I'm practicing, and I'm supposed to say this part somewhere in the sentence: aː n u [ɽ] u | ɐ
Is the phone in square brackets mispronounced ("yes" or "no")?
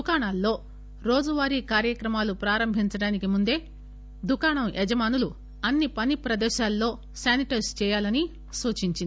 yes